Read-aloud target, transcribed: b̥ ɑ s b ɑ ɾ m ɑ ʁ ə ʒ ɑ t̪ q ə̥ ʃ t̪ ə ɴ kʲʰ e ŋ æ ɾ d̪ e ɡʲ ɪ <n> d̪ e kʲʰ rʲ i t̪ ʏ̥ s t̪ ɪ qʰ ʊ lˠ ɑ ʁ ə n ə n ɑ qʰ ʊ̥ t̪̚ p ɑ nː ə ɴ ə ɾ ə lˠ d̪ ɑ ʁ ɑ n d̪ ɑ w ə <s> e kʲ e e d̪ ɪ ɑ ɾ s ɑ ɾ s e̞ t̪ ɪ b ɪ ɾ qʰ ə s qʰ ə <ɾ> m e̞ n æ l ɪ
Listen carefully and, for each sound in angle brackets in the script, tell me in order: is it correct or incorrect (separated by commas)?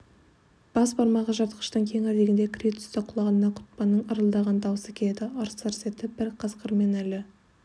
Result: correct, correct, correct